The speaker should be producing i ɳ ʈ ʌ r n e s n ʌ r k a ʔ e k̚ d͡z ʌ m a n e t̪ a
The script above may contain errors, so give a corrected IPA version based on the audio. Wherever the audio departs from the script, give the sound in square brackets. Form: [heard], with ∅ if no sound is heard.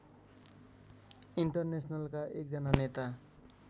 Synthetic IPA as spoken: i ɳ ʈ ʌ r n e s n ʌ [l] k a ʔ e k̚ d͡z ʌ [n] a n e t̪ a